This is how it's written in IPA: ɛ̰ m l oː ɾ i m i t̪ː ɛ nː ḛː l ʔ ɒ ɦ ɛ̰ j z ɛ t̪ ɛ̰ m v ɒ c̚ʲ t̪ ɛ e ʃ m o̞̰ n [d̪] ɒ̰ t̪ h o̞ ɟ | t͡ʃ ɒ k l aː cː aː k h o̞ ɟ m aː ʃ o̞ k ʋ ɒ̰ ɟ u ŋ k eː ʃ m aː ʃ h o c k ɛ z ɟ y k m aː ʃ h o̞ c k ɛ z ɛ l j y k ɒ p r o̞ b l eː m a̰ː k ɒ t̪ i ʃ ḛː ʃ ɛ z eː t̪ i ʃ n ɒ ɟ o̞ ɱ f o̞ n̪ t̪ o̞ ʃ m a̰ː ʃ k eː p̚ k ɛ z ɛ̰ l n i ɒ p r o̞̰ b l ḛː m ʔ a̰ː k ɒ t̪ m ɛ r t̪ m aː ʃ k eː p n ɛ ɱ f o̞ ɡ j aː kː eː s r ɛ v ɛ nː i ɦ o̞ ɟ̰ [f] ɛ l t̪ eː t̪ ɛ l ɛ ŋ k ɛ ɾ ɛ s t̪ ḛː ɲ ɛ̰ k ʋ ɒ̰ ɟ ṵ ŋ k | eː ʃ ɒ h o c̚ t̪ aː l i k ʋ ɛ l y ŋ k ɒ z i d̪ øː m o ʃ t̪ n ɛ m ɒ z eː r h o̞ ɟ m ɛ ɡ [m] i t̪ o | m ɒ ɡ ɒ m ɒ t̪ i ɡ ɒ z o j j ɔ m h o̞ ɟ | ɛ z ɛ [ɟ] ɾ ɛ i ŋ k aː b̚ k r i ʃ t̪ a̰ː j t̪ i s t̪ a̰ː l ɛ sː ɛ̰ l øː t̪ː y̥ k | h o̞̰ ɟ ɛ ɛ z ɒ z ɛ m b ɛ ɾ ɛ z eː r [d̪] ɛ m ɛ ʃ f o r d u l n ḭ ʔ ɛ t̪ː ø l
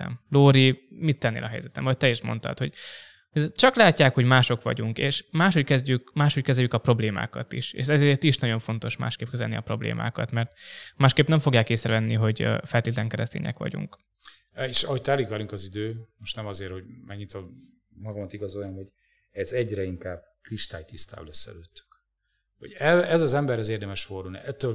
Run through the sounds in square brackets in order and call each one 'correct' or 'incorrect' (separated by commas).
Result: incorrect, correct, incorrect, correct, correct